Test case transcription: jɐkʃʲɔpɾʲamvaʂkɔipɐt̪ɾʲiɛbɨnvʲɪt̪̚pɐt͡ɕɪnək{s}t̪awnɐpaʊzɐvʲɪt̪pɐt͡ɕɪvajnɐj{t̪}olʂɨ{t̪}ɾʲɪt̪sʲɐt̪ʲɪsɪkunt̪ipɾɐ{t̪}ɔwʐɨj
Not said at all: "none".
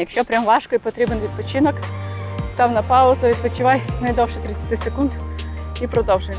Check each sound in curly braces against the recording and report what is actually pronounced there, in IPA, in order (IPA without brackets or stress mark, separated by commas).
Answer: s, d̪, t̪, d̪